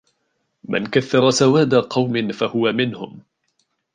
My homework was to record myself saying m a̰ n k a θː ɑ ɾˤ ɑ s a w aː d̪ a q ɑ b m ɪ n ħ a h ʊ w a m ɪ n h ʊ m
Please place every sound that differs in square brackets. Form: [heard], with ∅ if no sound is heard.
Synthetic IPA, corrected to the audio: m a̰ n k a θː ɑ ɾˤ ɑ s a w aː d̪ a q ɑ [w] m ɪ n [f] a h ʊ w a m ɪ n h ʊ m